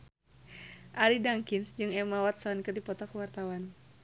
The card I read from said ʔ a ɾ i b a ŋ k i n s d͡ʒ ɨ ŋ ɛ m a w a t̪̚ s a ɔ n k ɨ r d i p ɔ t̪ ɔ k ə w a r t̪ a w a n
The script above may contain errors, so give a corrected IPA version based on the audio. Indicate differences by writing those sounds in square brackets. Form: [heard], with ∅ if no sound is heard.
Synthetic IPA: ʔ a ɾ i [d] a ŋ k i n s d͡ʒ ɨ ŋ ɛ m a w a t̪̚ s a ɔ n k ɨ r d i p ɔ t̪ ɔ k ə w a r t̪ a w a n